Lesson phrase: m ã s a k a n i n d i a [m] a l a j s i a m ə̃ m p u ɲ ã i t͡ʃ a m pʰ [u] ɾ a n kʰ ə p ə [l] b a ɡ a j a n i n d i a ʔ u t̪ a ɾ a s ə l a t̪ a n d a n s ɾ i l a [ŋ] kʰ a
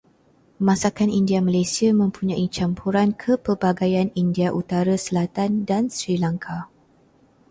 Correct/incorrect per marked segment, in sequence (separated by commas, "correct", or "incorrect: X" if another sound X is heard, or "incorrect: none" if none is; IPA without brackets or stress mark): correct, correct, incorrect: r, correct